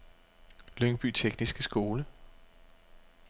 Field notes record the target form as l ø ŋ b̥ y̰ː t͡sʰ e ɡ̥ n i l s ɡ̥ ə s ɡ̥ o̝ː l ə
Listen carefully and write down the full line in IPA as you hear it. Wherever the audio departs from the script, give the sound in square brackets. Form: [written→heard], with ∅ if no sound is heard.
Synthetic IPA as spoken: l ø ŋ b̥ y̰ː t͡sʰ e ɡ̥ n i [l→∅] s ɡ̥ ə s ɡ̥ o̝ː l ə